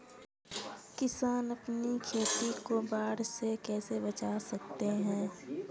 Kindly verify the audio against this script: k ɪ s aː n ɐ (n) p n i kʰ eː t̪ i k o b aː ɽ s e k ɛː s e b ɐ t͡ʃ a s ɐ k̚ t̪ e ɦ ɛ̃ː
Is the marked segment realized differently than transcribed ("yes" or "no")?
yes